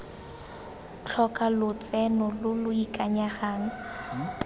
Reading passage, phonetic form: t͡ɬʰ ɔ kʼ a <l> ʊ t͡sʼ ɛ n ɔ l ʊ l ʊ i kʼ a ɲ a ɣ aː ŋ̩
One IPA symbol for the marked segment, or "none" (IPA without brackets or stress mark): l